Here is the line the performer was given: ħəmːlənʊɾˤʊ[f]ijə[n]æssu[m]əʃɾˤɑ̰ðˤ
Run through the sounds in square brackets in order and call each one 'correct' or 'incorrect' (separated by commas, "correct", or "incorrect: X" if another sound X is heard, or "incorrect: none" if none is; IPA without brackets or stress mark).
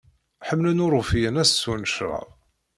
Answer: correct, correct, incorrect: n